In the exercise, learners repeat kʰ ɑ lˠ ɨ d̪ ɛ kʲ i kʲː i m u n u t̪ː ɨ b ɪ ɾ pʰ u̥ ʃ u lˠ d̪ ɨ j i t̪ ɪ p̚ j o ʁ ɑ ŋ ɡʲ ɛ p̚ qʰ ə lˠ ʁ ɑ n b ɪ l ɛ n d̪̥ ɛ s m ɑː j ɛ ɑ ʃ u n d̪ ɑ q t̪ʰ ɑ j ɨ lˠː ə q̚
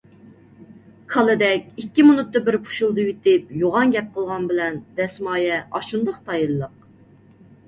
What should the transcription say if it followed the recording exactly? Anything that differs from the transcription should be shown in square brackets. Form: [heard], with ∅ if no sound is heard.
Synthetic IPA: kʰ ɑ lˠ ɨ d̪ ɛ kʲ i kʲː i m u n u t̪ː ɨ b ɪ ɾ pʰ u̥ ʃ u lˠ d̪ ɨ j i t̪ ɪ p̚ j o ʁ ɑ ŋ ɡʲ ɛ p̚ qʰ ə lˠ ʁ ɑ n b ɪ l ɛ n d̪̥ ɛ s m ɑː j ɛ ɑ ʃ u n d̪ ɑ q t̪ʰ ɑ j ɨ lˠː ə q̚